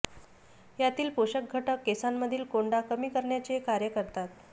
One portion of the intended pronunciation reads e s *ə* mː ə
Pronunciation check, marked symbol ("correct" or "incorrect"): incorrect